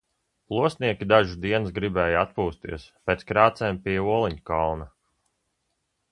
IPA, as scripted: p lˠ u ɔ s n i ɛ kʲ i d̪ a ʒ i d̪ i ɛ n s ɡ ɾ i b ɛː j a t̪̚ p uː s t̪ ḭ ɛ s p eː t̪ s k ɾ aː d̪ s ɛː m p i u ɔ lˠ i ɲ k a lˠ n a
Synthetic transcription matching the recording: p lˠ u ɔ s n i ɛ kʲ i d̪ a ʒ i d̪ i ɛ n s ɡ ɾ i b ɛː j a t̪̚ p uː s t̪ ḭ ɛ s p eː t̪ s k ɾ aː t̪ s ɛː m p i u ɔ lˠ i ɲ k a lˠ n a

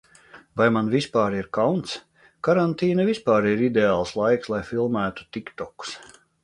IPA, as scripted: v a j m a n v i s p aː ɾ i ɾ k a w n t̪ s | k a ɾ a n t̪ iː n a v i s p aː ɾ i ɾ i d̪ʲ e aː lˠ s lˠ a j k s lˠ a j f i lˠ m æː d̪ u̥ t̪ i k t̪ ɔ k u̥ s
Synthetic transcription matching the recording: v a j m a n v i s p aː ɾ i ɾ k a w n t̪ s | k a ɾ a n t̪ iː n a v i s p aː ɾ i ɾ i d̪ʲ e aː lˠ s lˠ a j k s lˠ a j f i lˠ m æː t̪ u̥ t̪ i k t̪ ɔ k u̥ s

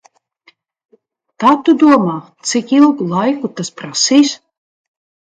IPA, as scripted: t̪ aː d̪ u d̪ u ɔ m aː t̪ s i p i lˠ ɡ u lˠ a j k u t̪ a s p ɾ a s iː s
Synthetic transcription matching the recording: t̪ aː t̪ u d̪ u ɔ m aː t̪ s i k i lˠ ɡ u lˠ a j k u t̪ a s p ɾ a s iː s

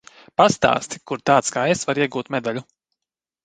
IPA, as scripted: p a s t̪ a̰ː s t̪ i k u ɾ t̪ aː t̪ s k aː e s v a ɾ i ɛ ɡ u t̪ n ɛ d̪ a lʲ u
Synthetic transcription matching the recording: p a s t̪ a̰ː s t̪ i k u ɾ t̪ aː t̪ s k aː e s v a ɾ i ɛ ɡ uː t̪ m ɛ d̪ a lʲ u

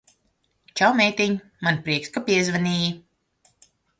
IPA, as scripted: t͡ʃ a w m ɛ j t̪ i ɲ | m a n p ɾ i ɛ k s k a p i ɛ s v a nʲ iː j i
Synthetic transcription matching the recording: t͡ʃ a w m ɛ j t̪ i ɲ | m a n p ɾ i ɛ k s k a p i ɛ z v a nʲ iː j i

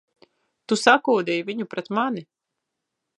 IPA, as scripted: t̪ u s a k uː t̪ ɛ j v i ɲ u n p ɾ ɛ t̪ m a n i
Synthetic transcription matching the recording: t̪ u s a k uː d̪ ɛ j v i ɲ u p ɾ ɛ t̪ m a n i

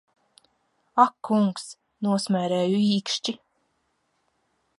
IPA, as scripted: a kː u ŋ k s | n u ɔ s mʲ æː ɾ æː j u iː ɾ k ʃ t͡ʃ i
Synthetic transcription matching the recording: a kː u ŋ k s | n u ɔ s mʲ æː ɾ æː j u iː k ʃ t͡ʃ i

